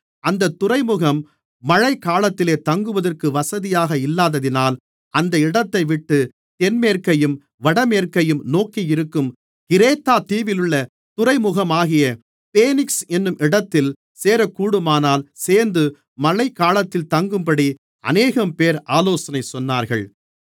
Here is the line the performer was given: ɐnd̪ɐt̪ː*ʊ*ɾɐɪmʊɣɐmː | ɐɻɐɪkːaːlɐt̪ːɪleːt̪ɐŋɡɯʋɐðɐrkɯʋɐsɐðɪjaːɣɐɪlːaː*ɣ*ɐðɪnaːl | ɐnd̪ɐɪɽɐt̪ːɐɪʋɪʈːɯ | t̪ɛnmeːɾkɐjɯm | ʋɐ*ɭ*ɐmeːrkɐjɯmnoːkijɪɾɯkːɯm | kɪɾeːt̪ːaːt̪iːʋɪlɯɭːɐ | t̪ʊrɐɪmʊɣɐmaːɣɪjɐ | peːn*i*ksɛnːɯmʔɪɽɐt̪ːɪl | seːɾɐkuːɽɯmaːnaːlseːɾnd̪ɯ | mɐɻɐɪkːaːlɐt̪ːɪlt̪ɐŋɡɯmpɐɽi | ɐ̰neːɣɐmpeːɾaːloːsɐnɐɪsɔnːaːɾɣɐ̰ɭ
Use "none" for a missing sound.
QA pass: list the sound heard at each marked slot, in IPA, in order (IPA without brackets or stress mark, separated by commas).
ʊ, ð, ɽ, ɪ